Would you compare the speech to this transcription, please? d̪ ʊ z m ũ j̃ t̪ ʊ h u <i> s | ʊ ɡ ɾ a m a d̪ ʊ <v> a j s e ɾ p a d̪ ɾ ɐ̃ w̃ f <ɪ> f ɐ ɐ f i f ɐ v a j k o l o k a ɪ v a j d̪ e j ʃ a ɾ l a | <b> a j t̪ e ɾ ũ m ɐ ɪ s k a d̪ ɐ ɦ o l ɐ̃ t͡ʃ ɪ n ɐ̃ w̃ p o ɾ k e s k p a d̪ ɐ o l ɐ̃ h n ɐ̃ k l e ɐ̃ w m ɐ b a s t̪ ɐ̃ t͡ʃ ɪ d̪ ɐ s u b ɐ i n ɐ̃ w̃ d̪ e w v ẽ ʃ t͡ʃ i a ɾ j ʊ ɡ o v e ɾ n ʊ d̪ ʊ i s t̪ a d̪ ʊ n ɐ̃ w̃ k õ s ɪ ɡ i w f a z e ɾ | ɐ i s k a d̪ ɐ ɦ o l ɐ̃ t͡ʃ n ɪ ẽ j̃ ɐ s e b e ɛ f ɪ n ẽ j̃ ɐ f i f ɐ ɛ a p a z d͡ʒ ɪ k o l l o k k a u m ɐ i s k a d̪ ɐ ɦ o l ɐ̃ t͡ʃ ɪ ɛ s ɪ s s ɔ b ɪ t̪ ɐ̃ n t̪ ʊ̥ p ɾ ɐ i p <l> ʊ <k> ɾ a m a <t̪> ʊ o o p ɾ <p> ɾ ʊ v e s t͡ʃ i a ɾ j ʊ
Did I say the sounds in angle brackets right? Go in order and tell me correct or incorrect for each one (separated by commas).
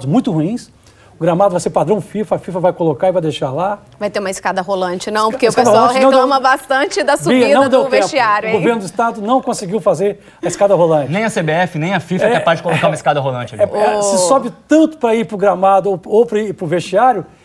incorrect, correct, incorrect, incorrect, incorrect, incorrect, incorrect, correct